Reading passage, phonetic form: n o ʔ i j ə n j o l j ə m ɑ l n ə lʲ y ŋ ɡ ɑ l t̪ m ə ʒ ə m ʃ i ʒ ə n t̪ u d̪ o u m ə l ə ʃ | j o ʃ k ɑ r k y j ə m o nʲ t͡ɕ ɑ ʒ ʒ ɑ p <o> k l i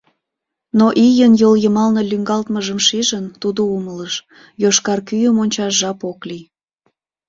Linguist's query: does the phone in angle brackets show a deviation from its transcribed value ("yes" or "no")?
no